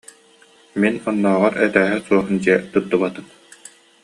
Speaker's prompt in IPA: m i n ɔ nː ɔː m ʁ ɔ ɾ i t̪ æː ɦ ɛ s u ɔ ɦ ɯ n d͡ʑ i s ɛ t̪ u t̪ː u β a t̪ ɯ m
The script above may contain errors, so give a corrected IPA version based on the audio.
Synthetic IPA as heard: m i n ɔ nː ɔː ʁ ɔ ɾ ɛ t̪ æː ɦ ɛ s u ɔ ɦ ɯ n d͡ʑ i ɛ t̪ u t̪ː u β a t̪ ɯ m